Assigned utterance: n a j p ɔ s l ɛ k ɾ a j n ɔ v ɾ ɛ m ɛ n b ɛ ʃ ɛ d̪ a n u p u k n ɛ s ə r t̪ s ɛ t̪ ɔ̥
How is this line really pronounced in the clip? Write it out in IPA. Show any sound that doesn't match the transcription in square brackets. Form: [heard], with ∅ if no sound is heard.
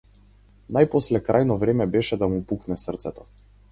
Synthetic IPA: n a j p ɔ s l ɛ k ɾ a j n ɔ v ɾ ɛ m ɛ [∅] b ɛ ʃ ɛ d̪ a [m] u p u k n ɛ s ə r t̪ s ɛ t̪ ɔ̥